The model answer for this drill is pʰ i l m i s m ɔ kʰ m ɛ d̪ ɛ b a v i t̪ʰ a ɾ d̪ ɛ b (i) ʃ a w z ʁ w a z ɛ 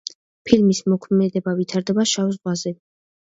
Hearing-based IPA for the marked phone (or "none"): a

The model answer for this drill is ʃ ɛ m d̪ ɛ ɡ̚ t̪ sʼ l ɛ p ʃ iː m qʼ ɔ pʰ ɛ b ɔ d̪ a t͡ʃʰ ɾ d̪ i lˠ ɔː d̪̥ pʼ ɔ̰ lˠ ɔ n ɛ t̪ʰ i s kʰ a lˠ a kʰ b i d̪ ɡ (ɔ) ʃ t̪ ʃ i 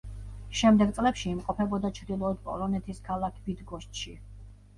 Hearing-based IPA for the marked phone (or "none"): ɔ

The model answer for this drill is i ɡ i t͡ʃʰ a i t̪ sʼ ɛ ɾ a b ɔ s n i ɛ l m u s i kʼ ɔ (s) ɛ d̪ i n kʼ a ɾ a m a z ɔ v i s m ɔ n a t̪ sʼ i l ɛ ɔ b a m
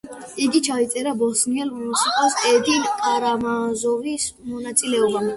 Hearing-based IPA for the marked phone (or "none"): s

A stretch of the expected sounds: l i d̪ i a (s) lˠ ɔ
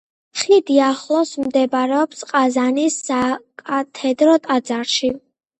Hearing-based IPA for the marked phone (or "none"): χ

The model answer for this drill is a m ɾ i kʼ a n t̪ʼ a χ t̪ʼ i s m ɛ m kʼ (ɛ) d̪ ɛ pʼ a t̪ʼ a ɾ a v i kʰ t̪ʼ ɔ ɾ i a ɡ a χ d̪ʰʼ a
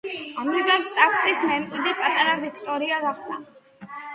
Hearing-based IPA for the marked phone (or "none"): i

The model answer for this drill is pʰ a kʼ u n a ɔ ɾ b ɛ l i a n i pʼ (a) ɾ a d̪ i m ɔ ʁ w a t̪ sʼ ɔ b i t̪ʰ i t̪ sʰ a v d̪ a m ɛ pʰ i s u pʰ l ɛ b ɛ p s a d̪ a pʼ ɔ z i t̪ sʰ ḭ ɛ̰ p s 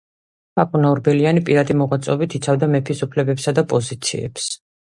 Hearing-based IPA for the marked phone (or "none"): i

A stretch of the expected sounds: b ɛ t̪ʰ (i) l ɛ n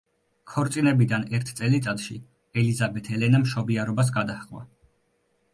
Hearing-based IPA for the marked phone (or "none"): ɛ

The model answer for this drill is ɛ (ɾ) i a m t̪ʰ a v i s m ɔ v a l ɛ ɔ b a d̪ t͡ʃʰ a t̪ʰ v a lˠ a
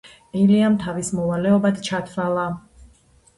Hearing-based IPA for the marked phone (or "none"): l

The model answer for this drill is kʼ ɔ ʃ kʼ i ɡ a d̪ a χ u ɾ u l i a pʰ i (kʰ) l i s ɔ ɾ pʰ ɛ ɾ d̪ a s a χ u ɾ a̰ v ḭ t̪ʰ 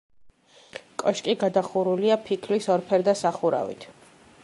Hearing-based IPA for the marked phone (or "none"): kʰ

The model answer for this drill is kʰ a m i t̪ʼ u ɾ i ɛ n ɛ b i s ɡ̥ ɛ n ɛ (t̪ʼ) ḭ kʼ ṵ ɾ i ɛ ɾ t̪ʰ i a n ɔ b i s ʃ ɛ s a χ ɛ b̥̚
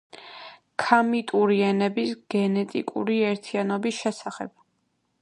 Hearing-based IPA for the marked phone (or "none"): t̪ʼ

